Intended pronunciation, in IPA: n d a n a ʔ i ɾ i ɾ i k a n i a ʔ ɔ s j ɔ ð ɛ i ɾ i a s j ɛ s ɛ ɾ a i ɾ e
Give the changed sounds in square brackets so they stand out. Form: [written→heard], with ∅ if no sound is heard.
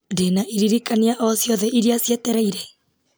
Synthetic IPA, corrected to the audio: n d [a→e] n a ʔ i ɾ i ɾ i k a n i a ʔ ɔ s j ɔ ð ɛ i ɾ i a s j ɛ [s→t] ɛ ɾ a i ɾ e